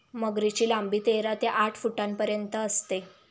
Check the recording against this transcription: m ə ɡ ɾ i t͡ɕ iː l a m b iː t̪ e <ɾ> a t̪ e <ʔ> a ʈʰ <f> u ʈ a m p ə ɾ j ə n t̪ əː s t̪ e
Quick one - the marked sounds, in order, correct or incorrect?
correct, correct, correct

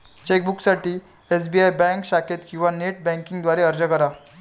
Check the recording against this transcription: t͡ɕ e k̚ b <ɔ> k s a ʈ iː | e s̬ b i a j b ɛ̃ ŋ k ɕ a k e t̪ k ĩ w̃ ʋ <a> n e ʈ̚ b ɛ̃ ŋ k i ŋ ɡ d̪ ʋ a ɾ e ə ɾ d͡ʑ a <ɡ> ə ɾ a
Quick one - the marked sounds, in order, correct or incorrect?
incorrect: u, correct, incorrect: k

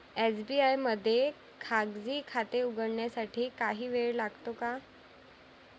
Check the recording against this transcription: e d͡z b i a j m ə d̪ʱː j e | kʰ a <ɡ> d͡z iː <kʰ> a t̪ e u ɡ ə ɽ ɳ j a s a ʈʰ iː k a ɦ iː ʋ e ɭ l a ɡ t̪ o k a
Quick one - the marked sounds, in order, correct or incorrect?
correct, correct

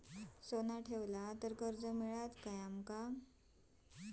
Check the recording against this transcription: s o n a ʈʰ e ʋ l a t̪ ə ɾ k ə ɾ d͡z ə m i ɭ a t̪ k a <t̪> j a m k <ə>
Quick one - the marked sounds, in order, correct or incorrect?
incorrect: none, incorrect: a

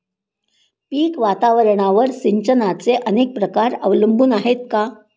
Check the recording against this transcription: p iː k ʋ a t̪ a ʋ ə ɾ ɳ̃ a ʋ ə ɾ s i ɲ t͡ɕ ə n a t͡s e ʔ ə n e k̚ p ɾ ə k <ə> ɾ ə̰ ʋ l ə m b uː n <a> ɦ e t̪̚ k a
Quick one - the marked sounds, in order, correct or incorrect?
incorrect: a, correct

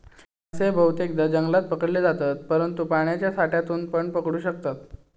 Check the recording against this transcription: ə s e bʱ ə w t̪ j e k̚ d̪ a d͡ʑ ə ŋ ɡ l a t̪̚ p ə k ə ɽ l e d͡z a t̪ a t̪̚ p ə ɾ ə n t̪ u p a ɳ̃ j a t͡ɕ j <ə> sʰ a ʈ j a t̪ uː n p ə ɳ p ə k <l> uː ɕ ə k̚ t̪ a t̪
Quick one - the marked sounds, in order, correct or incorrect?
incorrect: a, incorrect: ɽ

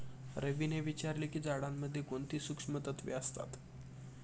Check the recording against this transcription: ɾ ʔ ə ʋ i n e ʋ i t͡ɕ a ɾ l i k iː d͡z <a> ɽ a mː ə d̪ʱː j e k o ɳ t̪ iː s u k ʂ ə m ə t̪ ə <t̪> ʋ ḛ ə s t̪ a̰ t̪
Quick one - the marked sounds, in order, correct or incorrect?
correct, correct

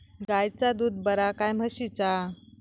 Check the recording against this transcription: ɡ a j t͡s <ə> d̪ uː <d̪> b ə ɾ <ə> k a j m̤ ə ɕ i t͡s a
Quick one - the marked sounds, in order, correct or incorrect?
incorrect: a, correct, incorrect: a

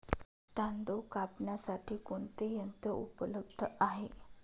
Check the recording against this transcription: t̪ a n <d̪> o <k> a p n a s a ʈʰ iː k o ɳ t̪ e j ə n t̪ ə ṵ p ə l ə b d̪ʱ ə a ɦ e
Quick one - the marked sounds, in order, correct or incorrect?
correct, correct

